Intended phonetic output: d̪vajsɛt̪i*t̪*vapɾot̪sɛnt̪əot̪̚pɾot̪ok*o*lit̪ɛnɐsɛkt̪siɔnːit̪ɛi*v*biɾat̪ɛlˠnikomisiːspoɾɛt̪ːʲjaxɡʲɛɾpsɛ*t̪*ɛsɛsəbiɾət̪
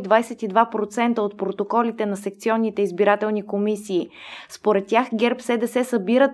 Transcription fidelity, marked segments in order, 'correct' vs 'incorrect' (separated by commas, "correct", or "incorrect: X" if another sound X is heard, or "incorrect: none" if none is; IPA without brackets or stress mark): incorrect: d̪, incorrect: ɔ, incorrect: z, incorrect: d̪